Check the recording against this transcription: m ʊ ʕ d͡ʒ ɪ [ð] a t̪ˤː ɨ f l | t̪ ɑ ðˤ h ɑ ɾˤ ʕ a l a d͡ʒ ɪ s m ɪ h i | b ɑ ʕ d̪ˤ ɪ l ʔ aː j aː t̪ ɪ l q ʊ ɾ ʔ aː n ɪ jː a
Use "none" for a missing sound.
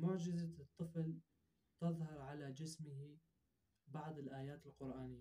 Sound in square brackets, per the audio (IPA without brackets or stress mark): z